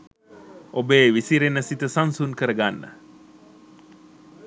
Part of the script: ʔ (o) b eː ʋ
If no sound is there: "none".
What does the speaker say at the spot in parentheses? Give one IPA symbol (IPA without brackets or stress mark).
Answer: o